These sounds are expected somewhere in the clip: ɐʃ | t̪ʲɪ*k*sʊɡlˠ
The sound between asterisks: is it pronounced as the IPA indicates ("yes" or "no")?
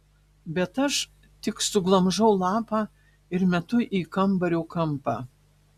yes